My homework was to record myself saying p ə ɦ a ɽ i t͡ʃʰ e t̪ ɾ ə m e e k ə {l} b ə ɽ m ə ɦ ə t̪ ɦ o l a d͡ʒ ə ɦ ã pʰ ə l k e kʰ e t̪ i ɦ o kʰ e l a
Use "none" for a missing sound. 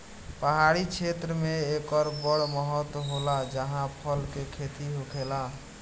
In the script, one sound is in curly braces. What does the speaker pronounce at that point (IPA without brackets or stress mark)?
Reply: ɾ